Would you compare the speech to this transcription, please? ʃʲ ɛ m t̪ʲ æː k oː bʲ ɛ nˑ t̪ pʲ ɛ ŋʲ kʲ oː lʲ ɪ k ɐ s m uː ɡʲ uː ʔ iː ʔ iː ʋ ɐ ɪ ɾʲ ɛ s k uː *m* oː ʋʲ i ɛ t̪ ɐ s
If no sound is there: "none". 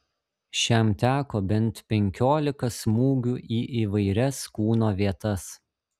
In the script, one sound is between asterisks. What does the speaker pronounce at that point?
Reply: n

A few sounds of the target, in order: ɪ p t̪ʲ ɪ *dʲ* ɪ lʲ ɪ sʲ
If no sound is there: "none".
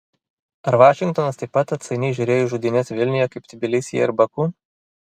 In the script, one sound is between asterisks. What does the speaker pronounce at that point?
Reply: bʲ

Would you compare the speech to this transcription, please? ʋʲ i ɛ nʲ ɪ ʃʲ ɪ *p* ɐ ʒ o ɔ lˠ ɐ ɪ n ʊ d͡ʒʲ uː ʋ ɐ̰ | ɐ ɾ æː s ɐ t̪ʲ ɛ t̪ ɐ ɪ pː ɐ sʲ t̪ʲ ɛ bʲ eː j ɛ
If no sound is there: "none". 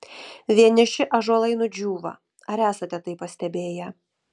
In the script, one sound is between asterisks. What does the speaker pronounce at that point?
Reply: ʔ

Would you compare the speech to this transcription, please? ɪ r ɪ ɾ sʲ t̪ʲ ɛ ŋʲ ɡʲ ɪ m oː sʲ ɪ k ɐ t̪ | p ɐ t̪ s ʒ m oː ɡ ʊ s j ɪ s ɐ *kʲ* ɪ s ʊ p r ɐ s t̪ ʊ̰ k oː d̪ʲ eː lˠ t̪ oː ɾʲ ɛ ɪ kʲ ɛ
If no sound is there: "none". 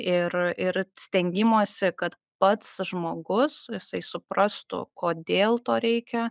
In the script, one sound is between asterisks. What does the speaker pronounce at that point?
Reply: none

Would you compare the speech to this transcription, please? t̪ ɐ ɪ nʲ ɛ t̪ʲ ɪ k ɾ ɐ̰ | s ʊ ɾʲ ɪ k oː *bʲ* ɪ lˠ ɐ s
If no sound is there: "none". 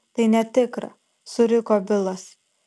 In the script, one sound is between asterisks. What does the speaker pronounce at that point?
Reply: bʲ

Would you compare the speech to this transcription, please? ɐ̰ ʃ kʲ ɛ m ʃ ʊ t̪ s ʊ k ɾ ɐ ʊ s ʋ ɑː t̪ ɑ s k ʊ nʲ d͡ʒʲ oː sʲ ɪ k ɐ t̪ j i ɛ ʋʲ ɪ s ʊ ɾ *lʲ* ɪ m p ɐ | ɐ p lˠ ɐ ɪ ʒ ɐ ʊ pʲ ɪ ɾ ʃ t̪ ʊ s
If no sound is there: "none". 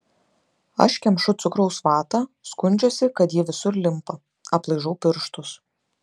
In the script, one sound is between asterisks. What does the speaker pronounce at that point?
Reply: lʲ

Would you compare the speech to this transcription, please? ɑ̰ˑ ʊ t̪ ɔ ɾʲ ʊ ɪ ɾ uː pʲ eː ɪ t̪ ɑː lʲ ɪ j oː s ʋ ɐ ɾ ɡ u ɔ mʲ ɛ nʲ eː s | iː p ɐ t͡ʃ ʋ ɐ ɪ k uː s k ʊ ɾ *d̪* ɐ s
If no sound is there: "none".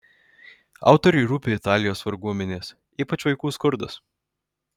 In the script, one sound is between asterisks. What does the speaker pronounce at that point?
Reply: d̪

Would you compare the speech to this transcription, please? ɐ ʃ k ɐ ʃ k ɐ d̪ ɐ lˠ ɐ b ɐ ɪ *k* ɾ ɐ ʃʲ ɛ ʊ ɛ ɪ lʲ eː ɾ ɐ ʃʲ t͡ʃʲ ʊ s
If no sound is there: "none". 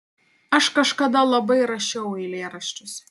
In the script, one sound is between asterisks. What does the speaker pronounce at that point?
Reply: none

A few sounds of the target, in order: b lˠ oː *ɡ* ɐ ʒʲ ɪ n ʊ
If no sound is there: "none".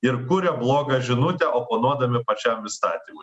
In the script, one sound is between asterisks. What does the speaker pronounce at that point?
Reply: ɡ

